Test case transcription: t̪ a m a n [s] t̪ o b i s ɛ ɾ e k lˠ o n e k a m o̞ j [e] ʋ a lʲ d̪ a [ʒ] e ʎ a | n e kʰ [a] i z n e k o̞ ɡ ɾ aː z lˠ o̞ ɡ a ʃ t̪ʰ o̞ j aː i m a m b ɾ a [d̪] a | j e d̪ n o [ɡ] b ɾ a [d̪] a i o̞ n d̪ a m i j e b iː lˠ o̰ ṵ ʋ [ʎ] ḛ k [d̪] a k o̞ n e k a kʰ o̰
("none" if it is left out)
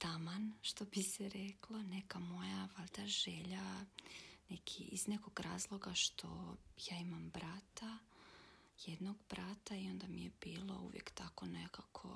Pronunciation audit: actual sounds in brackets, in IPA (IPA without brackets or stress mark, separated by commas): ʃ, a, ʒ, i, t̪, ɡ, t̪, j, t̪